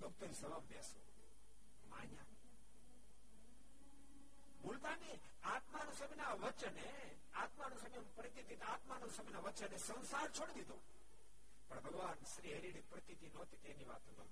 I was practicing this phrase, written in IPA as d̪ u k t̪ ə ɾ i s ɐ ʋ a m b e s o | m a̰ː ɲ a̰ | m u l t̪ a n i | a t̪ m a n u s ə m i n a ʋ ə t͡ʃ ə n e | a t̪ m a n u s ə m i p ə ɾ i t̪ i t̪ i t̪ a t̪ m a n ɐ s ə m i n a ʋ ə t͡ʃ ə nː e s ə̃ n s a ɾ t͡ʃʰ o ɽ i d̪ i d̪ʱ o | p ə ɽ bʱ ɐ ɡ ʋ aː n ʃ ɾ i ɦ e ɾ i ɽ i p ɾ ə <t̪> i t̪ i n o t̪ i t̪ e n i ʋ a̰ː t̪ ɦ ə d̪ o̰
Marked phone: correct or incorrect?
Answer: correct